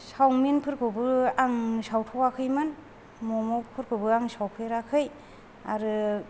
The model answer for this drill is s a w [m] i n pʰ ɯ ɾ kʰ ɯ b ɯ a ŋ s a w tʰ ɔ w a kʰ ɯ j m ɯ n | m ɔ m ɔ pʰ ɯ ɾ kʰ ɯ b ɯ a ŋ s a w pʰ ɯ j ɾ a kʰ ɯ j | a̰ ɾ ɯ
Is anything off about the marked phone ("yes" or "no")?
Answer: no